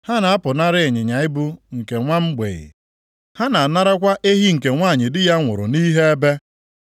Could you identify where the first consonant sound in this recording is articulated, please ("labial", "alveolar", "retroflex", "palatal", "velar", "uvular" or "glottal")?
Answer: glottal